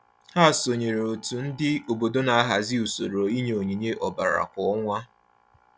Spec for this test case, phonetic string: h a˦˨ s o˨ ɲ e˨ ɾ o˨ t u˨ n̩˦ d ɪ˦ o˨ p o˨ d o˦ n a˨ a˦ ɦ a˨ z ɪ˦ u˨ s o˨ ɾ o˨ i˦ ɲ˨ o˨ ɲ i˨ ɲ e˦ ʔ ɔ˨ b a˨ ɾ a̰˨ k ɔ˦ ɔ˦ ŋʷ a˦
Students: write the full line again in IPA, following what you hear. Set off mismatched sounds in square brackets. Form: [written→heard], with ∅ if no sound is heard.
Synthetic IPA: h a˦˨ s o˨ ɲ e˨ ɾ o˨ t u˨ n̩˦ d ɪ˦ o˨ [p→b] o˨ d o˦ n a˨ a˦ ɦ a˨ z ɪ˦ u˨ s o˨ ɾ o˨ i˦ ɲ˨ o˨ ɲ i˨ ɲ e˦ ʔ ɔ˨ b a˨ ɾ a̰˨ k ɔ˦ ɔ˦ ŋʷ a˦